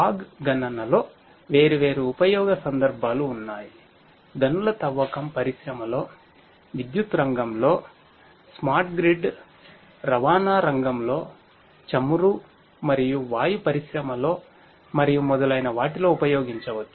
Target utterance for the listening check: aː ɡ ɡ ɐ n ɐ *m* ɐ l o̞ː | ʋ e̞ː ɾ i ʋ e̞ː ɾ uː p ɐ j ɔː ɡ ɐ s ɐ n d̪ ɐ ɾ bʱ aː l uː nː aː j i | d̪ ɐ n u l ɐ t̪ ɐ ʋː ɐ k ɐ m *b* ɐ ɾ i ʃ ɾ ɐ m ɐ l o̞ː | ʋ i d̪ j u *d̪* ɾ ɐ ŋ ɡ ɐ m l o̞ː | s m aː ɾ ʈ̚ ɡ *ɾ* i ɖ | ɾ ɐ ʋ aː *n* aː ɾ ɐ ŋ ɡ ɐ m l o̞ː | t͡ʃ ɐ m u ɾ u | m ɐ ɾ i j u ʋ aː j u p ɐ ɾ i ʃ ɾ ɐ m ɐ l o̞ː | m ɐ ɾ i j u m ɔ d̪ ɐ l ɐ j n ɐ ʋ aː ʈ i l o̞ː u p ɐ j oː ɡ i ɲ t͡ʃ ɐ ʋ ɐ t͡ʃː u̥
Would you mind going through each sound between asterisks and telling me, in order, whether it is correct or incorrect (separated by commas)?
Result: incorrect, incorrect, incorrect, correct, correct